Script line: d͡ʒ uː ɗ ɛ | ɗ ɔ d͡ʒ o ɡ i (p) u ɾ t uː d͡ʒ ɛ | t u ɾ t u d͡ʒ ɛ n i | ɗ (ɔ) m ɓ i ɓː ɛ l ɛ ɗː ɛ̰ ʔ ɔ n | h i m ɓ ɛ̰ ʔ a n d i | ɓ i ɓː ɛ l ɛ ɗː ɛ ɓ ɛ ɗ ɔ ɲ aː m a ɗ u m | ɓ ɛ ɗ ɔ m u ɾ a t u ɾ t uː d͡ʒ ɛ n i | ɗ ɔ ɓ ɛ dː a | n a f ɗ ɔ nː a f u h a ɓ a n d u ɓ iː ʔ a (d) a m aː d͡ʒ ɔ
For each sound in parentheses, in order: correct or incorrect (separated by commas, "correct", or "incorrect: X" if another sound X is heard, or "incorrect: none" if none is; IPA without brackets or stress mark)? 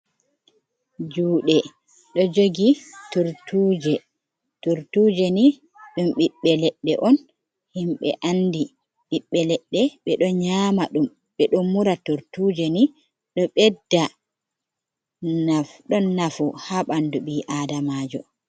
incorrect: t, incorrect: u, correct